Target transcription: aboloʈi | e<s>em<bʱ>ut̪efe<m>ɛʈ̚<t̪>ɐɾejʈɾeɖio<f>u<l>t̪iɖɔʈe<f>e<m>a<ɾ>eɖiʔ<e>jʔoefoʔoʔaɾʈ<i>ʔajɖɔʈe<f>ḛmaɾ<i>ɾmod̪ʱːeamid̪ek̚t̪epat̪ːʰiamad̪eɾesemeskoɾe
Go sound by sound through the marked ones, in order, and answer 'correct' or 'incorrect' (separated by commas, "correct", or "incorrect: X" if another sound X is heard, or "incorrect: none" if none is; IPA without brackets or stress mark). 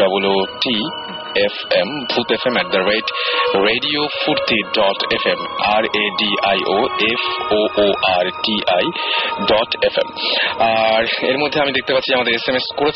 incorrect: f, correct, correct, incorrect: d̪, correct, incorrect: ɾ, correct, correct, correct, incorrect: a, correct, correct, incorrect: e